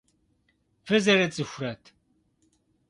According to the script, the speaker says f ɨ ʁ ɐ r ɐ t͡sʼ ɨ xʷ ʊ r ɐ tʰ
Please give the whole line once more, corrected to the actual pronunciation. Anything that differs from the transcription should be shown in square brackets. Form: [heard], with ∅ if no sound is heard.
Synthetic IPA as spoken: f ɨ [z] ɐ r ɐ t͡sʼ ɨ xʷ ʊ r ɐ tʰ